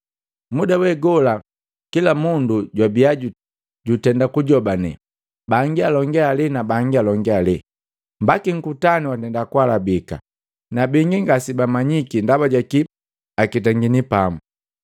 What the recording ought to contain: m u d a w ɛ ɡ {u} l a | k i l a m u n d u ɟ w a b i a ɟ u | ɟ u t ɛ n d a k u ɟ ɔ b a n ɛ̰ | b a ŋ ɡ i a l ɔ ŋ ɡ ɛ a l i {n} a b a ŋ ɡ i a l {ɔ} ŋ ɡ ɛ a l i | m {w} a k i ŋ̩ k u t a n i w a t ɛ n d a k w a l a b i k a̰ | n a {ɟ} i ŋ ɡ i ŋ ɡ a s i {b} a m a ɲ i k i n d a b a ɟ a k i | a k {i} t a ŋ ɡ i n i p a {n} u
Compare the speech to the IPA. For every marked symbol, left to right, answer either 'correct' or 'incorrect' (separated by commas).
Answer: incorrect, correct, correct, incorrect, incorrect, correct, correct, incorrect